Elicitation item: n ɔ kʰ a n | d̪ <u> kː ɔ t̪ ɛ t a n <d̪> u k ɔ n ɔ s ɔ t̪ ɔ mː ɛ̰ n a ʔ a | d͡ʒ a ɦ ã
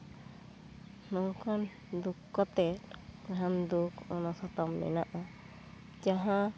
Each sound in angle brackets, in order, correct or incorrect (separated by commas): correct, correct